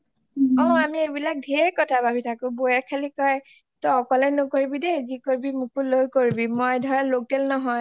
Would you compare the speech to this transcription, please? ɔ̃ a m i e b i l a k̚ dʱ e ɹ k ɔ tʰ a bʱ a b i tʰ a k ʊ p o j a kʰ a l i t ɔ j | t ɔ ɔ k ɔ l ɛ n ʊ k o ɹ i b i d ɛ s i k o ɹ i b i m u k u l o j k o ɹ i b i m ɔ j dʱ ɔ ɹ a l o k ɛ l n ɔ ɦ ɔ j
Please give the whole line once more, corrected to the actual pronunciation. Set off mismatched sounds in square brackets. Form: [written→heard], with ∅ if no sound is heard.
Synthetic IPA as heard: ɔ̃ a m i e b i l a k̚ dʱ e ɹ k ɔ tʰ a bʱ a b i tʰ a k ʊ [p→b] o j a kʰ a l i [t→k] ɔ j | t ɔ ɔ k ɔ l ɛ n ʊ k o ɹ i b i d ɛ [s→z] i k o ɹ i b i m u k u l o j k o ɹ i b i m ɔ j dʱ ɔ ɹ a l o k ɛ l n ɔ ɦ ɔ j